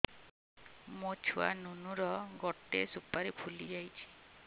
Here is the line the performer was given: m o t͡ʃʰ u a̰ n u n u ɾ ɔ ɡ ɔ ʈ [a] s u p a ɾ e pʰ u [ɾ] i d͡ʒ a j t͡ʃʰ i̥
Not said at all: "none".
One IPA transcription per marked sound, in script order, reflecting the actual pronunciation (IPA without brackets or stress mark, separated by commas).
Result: e, l